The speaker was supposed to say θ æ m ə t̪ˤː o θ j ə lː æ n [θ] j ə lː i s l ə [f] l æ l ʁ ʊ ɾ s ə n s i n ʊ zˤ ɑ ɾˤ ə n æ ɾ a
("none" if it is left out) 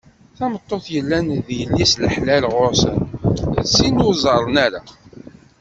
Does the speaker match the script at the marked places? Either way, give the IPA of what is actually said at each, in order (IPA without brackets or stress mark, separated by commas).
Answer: ð, ħ